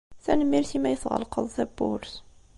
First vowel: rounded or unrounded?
unrounded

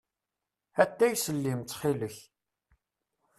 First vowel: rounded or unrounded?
unrounded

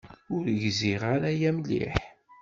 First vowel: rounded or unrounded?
rounded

